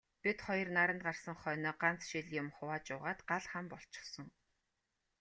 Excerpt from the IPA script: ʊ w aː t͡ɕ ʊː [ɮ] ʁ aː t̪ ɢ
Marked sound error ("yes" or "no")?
yes